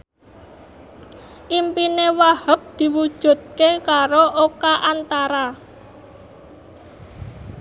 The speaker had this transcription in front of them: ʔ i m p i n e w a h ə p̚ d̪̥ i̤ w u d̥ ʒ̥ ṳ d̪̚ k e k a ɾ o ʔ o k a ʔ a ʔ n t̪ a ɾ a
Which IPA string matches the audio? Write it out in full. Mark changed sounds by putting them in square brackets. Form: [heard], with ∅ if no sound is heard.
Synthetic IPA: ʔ i m p i n e w a h ə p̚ d̪̥ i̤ w u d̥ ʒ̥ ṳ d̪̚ k e k a ɾ o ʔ o k a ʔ a [∅] n t̪ a ɾ a

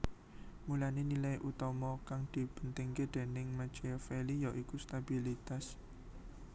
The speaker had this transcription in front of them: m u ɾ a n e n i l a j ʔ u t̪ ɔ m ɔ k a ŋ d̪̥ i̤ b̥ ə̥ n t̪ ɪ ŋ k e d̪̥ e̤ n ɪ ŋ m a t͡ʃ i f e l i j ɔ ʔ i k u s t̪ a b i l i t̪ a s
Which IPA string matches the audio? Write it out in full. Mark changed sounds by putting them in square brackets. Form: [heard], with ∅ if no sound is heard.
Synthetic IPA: m u [l] a n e n i l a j ʔ u t̪ ɔ m ɔ k a ŋ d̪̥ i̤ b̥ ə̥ n t̪ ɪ ŋ k e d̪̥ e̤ n ɪ ŋ m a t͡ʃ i f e l i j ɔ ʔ i k u s t̪ a b i l i t̪ a s

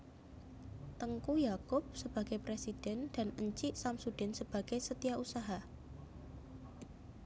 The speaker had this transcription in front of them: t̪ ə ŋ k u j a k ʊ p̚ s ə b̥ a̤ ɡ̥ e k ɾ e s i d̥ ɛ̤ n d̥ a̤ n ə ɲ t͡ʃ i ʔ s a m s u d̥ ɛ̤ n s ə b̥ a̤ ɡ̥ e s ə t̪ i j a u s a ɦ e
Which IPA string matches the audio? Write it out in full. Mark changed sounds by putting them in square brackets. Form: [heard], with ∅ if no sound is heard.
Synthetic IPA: t̪ ə ŋ k u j a k ʊ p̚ s ə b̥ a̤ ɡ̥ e [p] ɾ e s i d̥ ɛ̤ n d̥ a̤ n ə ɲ t͡ʃ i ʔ s a m s u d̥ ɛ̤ n s ə b̥ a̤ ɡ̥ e s ə t̪ i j a u s a ɦ [a]

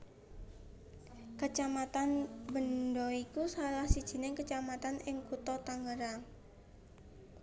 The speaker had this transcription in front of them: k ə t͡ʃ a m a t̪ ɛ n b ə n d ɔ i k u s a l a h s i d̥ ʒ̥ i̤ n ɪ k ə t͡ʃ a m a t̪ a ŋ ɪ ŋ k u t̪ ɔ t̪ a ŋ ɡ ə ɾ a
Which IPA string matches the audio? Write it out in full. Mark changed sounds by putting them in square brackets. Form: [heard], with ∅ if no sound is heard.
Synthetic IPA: k ə t͡ʃ a m a t̪ [a] n b ə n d ɔ i k u s a l a h s i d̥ ʒ̥ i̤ n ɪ k ə t͡ʃ a m a t̪ a [n] ɪ ŋ k u t̪ ɔ t̪ a ŋ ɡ ə ɾ a

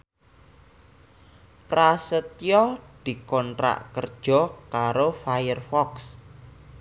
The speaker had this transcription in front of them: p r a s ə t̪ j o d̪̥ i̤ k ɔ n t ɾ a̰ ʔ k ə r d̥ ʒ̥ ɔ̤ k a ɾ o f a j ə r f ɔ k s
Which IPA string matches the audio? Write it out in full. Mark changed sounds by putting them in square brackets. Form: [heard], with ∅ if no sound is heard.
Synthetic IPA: p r a s ə t̪ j [ɔ] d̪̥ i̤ k ɔ n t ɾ a̰ ʔ k ə r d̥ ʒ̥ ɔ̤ k a ɾ o f a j ə r f ɔ k s

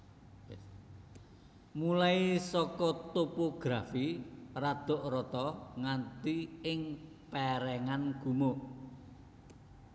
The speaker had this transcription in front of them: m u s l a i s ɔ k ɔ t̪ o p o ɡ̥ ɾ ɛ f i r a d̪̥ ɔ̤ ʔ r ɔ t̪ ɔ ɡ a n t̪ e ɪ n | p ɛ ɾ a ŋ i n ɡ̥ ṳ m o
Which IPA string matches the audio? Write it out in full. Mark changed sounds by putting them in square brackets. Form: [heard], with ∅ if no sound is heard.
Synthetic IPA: m u [∅] l a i s ɔ k ɔ t̪ o p o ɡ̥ ɾ [a] f i r a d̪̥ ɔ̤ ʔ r ɔ t̪ ɔ [ŋ] a n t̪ [i] ɪ [ŋ] | p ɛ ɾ [ɛ] ŋ [a] n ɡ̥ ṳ m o

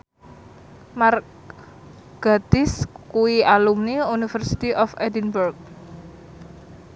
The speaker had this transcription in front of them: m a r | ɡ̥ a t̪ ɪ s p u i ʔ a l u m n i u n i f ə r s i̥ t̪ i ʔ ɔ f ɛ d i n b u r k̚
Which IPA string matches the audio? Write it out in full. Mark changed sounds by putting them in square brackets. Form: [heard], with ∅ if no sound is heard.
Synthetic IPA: m a r | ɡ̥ a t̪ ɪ s [k] u i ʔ a l u m n i u n i f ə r s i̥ t̪ i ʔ ɔ f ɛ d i n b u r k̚

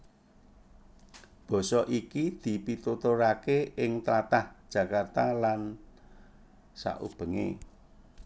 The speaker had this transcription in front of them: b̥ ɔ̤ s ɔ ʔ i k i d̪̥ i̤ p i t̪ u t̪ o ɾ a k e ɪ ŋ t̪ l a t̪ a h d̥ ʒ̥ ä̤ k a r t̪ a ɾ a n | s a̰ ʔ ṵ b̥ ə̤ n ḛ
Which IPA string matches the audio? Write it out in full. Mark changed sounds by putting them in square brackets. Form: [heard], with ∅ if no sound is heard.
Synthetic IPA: b̥ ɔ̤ s ɔ ʔ i k i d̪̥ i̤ p i t̪ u t̪ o ɾ a k e ɪ ŋ t̪ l a t̪ a h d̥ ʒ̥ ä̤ k a r t̪ a [l] a n | s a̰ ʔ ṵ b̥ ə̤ [ŋ] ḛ

